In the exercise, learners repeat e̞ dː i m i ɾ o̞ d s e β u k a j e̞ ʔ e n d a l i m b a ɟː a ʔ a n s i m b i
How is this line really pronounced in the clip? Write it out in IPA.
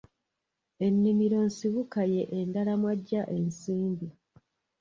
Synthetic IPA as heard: e̞ nː i m i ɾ o̞ n s i β u k a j e̞ ʔ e n d a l a m w a ɟː a ʔ e n s iː m b i